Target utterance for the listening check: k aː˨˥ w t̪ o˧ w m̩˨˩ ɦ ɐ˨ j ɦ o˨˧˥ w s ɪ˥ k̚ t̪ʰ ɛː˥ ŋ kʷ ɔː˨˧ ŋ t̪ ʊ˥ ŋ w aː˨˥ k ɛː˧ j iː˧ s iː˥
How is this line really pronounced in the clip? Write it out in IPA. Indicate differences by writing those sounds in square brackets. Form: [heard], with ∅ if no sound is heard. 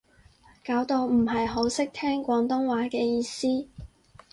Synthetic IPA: k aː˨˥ w t̪ o˧ w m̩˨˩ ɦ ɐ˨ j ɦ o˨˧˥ w s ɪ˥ k̚ t̪ʰ ɛː˥ ŋ kʷ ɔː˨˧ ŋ t̪ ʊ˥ ŋ w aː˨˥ k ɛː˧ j iː˧ s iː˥